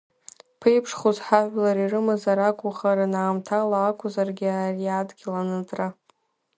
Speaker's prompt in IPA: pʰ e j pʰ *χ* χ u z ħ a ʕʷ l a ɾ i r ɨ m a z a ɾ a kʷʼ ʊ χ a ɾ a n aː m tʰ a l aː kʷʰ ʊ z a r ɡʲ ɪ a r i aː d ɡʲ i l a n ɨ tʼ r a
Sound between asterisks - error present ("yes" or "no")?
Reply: yes